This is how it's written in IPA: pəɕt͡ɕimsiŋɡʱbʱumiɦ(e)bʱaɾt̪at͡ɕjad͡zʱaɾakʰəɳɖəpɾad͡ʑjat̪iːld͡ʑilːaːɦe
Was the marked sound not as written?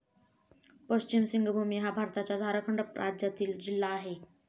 yes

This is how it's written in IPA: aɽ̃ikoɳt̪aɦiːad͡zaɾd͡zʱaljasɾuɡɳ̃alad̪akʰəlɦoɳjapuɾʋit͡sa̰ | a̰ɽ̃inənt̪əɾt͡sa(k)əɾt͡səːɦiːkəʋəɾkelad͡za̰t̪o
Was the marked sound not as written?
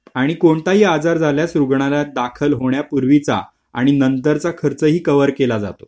yes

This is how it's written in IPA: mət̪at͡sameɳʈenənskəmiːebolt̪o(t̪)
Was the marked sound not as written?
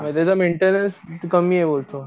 yes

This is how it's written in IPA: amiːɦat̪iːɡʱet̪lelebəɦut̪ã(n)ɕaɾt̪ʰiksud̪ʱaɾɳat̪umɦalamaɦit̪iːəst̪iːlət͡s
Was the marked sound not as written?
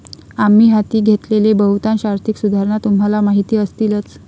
no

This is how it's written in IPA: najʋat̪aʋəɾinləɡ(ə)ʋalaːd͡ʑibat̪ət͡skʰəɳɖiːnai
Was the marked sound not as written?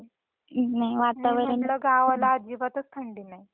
yes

